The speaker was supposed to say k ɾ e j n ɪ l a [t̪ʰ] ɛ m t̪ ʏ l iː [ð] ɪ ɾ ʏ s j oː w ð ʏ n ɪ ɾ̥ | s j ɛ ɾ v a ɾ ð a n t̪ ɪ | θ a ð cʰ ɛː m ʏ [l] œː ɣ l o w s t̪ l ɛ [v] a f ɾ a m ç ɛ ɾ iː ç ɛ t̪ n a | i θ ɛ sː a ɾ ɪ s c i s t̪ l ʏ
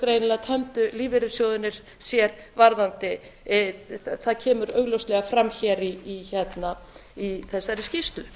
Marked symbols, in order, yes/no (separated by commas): yes, no, no, no